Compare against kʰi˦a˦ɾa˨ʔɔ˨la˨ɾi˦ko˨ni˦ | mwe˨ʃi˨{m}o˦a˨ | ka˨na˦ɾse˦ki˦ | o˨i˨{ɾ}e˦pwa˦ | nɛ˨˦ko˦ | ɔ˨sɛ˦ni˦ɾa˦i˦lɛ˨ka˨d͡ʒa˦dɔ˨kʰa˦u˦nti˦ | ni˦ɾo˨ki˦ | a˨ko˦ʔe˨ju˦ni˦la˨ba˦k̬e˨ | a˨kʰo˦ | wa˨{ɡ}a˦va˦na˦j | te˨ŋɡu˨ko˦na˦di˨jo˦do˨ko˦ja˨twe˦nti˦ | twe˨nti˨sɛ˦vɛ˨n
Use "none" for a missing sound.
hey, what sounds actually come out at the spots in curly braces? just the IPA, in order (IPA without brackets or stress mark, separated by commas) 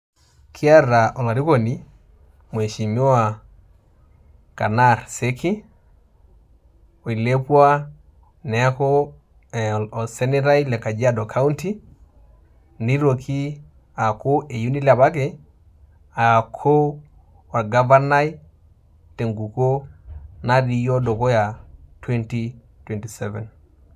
m, l, ɡ